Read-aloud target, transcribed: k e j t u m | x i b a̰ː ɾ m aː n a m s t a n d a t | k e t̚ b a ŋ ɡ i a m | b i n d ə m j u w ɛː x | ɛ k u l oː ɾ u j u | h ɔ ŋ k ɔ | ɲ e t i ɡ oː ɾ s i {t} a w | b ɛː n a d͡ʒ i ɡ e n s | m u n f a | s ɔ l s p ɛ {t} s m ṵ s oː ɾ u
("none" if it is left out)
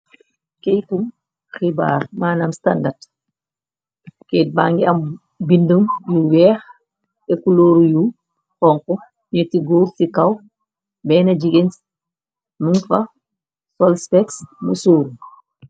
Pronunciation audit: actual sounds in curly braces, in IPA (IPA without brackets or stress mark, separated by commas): k, k